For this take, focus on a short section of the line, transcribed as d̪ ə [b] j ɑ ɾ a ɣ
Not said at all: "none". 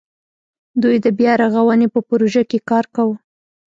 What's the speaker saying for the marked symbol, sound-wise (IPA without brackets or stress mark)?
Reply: b